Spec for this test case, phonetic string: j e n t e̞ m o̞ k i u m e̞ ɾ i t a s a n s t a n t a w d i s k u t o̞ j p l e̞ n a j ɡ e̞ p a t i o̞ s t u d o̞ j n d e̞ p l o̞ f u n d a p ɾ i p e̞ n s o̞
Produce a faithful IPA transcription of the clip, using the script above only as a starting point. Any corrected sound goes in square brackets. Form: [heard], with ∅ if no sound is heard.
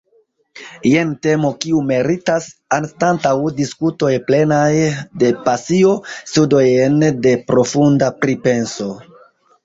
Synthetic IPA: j e n t e̞ m o̞ k i u m e̞ ɾ i t a s a n s t a n t a w d i s k u t o̞ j p l e̞ n a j [d] e̞ p a [s] i o̞ s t u d o̞ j n d e̞ p [ɾ] o̞ f u n d a p ɾ i p e̞ n s o̞